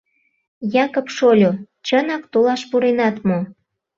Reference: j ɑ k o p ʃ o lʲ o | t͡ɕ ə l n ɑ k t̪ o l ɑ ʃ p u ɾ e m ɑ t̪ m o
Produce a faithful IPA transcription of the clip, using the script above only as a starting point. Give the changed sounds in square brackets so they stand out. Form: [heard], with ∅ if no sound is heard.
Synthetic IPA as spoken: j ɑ k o p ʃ o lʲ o | t͡ɕ ə [∅] n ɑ k t̪ o l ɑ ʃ p u ɾ e [n] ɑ t̪ m o